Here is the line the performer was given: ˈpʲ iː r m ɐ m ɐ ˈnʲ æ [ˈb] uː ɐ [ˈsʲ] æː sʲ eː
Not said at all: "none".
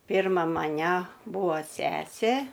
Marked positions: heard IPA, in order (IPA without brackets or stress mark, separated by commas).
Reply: b, sʲ